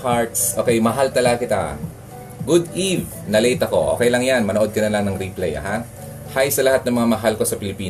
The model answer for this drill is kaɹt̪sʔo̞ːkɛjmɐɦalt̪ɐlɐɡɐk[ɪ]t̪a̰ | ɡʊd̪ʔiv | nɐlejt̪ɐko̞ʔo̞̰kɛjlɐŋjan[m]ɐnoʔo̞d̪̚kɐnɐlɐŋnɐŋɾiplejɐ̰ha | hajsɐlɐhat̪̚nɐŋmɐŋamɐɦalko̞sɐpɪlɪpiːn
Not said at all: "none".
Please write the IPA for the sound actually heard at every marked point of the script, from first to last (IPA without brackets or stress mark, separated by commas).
ɪ, m